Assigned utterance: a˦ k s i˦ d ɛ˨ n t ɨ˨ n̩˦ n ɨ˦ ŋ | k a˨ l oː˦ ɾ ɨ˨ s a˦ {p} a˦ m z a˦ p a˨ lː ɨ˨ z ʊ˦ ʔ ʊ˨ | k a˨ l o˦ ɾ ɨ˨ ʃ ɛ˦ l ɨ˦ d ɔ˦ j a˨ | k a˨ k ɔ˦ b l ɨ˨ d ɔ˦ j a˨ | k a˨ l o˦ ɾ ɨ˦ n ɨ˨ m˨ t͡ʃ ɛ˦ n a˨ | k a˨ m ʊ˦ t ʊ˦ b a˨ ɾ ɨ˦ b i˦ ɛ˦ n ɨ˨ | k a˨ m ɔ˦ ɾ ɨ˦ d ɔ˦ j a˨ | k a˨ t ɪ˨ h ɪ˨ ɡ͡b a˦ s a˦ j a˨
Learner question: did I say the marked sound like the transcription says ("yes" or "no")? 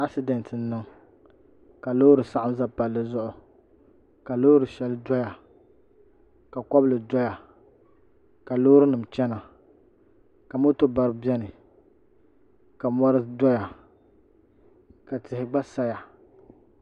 no